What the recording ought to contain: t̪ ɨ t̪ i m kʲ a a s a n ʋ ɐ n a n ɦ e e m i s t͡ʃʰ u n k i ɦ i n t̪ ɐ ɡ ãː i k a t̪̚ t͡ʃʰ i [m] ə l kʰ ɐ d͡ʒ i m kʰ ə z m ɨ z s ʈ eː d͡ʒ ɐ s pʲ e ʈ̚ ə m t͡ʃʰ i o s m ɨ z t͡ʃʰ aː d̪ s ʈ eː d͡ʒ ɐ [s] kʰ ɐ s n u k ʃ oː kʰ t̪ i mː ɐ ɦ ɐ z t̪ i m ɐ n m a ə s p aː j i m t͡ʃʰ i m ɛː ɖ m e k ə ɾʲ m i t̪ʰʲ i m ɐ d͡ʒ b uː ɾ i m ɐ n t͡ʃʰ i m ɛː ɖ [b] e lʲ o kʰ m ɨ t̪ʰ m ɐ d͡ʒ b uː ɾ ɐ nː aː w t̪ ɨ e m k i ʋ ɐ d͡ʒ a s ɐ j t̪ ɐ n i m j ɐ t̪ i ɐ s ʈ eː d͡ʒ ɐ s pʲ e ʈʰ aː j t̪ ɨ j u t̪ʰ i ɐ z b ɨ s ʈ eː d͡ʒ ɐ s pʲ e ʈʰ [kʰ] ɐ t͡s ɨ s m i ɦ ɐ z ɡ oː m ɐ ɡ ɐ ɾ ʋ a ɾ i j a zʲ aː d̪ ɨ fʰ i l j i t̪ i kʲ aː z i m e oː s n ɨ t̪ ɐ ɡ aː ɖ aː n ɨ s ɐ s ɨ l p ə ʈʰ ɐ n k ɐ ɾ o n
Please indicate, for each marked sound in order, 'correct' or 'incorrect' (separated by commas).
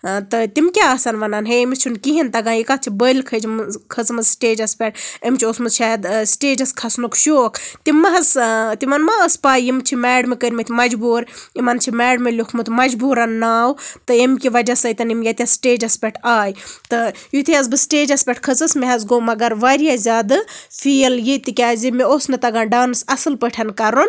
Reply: incorrect, correct, incorrect, correct